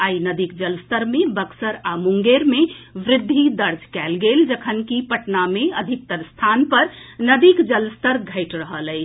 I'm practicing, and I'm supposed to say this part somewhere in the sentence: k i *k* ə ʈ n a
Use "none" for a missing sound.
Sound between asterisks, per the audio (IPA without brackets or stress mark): p